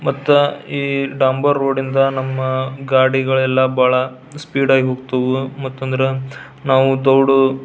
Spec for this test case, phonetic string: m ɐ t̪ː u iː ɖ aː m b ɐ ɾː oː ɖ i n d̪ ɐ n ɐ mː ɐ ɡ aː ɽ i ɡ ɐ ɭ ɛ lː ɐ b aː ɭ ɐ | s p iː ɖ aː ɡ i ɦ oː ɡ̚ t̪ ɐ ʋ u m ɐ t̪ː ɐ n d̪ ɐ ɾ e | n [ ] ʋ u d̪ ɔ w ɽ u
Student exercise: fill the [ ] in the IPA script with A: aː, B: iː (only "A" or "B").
A